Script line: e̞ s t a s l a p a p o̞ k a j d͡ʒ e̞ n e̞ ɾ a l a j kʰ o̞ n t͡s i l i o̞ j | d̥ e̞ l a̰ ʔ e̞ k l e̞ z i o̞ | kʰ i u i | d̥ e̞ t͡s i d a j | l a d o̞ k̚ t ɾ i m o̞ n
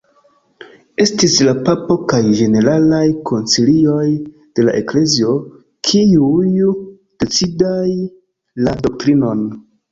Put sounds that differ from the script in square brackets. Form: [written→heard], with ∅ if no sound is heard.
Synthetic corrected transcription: e̞ s t [a→i] s l a p a p o̞ k a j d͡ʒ e̞ n e̞ ɾ a l a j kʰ o̞ n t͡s i l i o̞ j | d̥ e̞ l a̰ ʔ e̞ k l e̞ z i o̞ | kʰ i u [i→j] | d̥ e̞ t͡s i d a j | l a d o̞ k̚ t ɾ i [m→n] o̞ n